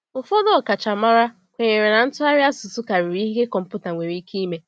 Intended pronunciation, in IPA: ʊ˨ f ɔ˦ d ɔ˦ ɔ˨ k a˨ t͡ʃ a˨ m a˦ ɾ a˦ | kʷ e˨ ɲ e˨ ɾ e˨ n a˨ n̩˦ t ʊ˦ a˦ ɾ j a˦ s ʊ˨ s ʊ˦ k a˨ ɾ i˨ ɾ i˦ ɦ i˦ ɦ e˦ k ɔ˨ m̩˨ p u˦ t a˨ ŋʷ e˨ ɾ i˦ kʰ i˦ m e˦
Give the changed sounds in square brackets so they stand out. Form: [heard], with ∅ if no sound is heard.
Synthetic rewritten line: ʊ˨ f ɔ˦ d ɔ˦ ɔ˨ k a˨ t͡ʃ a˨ m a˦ ɾ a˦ | kʷ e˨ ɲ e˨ ɾ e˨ n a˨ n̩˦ t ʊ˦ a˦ ɾ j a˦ s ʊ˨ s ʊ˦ k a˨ ɾ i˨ ɾ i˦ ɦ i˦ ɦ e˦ k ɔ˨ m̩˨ p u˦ t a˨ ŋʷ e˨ ɾ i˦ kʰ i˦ m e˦